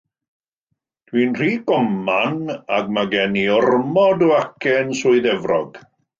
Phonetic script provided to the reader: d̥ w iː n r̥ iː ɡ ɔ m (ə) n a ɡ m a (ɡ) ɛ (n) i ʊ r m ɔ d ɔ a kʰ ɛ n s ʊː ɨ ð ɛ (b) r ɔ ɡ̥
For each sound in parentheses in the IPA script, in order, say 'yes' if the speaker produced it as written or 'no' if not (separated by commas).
no, yes, yes, no